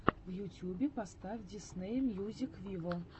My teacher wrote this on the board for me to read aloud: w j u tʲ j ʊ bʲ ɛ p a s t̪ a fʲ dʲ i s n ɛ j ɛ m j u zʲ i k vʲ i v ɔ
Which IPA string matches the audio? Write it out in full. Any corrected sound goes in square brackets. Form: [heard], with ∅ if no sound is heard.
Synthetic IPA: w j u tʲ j [u] bʲ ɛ p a s t̪ a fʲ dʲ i s n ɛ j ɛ m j u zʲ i k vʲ i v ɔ